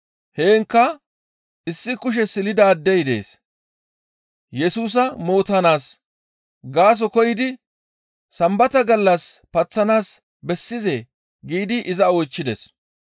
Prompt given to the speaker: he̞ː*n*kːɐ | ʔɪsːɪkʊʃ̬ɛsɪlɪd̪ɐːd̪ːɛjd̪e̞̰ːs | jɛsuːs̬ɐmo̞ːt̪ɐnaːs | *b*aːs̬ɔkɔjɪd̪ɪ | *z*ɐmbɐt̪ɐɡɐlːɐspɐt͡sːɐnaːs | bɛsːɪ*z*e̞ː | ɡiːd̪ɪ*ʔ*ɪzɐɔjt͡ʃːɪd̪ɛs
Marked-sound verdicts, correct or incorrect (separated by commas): incorrect, incorrect, incorrect, correct, correct